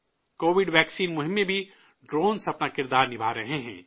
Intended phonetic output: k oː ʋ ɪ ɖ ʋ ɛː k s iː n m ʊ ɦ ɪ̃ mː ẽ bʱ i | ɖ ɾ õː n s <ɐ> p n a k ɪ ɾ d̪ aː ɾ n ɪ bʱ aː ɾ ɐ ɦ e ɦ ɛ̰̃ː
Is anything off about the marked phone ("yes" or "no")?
no